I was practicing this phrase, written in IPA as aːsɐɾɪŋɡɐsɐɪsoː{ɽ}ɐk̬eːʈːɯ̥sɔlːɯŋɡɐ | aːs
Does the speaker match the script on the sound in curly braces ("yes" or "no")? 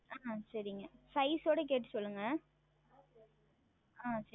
yes